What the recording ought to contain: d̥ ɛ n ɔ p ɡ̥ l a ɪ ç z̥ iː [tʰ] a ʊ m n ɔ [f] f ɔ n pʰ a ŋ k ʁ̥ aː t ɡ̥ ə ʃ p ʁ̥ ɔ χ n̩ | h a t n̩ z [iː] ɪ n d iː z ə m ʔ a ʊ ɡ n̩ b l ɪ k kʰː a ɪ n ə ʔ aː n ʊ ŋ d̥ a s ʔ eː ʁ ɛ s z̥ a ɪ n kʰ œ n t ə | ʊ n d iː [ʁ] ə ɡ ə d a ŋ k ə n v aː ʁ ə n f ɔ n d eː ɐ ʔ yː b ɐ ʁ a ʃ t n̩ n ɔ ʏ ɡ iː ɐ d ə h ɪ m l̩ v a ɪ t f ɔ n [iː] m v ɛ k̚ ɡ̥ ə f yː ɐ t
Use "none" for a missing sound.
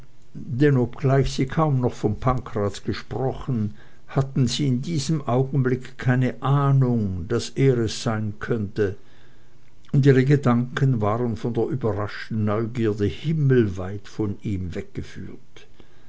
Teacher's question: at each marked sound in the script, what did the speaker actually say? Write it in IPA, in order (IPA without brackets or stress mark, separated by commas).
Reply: kʰ, χ, iː, ʁ, iː